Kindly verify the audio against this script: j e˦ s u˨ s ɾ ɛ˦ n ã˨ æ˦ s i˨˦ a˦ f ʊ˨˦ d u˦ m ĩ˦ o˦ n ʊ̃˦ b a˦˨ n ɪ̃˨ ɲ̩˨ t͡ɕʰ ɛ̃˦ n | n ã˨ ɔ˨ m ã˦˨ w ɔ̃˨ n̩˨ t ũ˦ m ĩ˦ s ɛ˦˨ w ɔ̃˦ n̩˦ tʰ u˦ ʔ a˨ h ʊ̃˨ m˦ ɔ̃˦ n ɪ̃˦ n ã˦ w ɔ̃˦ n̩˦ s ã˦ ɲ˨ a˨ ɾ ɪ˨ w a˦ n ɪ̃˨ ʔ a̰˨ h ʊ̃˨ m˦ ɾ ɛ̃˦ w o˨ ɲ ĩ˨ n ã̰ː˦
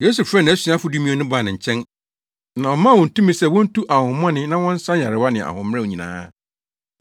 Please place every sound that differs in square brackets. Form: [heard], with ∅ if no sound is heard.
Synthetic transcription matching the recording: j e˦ s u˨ [f] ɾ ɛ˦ n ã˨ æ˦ s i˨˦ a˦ f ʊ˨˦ d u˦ m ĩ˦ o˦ n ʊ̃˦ b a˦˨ n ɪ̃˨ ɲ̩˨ t͡ɕʰ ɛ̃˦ n | n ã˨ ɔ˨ m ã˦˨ w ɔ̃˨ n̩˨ t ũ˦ m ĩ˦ s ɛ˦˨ w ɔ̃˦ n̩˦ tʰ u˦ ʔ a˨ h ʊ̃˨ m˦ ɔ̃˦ n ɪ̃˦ n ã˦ w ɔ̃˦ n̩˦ s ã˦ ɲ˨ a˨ ɾ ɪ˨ w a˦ n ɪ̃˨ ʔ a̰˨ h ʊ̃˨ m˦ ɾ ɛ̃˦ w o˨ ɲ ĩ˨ n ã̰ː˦